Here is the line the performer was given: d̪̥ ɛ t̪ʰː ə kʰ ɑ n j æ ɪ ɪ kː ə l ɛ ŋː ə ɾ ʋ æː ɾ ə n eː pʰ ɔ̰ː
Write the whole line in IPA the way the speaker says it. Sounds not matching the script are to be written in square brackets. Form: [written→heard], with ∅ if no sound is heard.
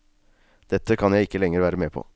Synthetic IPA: d̪̥ ɛ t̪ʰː ə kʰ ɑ n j æ ɪ ɪ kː ə l ɛ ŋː ə ɾ ʋ æː ɾ ə [n→m] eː pʰ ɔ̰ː